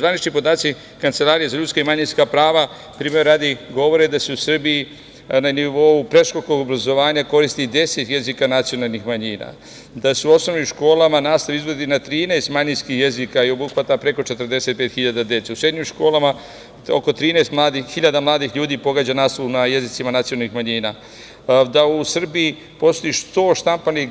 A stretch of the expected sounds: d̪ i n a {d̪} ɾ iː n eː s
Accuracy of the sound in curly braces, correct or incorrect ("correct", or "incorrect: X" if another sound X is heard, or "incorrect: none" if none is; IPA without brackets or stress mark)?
incorrect: t̪